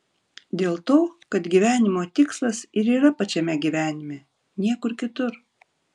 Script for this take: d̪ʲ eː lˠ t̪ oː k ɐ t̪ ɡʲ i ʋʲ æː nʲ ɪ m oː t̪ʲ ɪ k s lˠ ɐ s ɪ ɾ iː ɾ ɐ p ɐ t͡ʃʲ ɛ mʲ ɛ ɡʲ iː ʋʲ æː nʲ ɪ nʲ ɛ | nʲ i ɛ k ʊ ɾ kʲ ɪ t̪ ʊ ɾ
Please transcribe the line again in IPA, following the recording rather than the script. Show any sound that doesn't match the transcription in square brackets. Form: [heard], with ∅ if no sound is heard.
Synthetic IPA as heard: d̪ʲ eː lˠ t̪ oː k ɐ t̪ ɡʲ i ʋʲ æː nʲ ɪ m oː t̪ʲ ɪ k s lˠ ɐ s ɪ ɾ iː ɾ ɐ p ɐ t͡ʃʲ ɛ mʲ ɛ ɡʲ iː ʋʲ æː nʲ ɪ [mʲ] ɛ | nʲ i ɛ k ʊ ɾ kʲ ɪ t̪ ʊ ɾ